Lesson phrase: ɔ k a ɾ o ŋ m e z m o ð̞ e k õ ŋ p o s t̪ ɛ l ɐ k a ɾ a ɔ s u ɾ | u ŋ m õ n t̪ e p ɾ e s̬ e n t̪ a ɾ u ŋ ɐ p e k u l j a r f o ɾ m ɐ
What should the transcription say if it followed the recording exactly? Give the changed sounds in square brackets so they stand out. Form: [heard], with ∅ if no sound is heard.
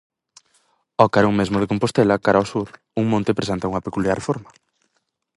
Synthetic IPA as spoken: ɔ k a ɾ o ŋ m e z m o ð̞ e k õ [m] p o s t̪ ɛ l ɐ k a ɾ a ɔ s u ɾ | u ŋ m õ n t̪ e p ɾ e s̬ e n t̪ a [∅] u ŋ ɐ p e k u l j a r f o ɾ m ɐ